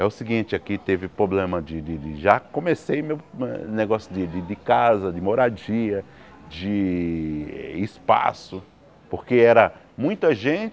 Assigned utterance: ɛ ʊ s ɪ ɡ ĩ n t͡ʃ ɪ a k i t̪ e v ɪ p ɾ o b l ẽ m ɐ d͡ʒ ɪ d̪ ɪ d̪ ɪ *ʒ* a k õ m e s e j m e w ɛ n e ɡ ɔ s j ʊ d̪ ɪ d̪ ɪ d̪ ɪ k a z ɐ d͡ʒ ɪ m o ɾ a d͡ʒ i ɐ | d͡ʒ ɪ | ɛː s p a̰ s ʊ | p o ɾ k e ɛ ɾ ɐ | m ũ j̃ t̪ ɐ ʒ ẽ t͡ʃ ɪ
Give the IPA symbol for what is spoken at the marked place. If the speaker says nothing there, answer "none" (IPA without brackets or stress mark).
ʒ